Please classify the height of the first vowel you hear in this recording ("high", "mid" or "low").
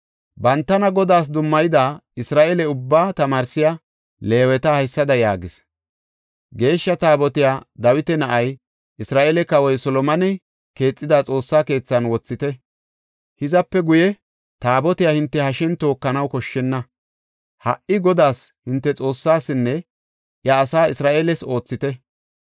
low